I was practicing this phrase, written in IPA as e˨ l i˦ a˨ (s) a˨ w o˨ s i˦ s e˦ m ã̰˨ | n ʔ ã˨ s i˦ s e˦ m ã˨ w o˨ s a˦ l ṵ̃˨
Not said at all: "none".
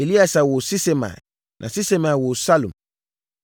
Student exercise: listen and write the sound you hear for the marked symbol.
s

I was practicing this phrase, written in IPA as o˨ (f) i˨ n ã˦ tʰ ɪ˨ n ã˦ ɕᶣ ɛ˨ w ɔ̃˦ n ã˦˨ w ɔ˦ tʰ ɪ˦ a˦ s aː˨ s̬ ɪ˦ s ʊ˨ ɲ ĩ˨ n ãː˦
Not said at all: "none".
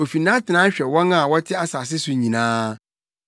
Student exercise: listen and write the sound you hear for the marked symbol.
f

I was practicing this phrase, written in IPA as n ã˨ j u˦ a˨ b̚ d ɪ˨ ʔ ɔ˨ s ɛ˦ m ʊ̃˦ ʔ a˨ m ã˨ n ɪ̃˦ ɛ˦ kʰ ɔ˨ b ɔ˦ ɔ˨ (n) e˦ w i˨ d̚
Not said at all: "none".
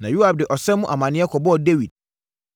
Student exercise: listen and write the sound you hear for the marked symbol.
d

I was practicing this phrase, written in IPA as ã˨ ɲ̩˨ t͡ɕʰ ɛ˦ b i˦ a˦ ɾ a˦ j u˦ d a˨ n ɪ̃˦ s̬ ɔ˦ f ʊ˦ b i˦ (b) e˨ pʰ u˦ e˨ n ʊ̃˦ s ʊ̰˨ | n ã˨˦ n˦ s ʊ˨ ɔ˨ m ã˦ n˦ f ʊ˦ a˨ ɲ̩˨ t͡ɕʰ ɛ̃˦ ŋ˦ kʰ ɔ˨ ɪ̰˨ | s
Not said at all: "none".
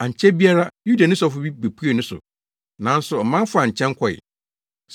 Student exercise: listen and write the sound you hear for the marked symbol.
b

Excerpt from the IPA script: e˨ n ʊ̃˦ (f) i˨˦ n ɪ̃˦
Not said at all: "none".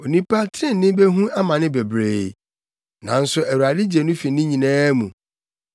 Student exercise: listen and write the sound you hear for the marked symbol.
f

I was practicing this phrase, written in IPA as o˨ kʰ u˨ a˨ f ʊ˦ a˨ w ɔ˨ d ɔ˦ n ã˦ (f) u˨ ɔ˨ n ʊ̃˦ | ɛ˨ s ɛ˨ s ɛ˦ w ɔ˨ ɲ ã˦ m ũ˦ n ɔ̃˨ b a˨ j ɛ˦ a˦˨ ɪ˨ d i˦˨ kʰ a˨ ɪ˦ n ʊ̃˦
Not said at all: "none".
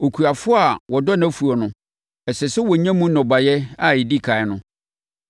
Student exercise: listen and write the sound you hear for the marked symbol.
f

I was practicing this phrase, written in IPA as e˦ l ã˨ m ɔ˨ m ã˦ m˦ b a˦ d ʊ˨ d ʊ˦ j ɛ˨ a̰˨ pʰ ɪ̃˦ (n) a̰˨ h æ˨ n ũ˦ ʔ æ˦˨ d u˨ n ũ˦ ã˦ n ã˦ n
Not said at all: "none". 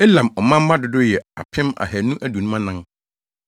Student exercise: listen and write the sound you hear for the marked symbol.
m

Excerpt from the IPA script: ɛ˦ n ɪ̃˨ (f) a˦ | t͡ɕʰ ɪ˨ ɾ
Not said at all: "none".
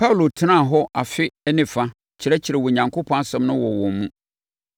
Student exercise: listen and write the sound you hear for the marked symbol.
f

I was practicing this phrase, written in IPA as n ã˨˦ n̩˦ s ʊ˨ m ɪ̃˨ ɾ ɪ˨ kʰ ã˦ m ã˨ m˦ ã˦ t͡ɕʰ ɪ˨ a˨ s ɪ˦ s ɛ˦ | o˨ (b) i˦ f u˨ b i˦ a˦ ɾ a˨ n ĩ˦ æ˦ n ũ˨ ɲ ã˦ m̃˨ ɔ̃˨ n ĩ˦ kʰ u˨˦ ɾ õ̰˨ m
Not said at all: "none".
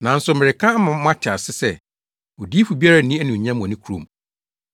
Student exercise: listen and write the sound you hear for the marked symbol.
d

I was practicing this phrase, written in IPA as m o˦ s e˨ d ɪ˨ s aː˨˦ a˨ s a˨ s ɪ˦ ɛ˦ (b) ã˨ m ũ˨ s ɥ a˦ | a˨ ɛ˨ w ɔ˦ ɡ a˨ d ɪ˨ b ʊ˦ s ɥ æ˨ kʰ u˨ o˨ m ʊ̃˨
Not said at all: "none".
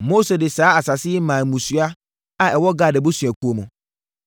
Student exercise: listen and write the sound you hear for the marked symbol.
m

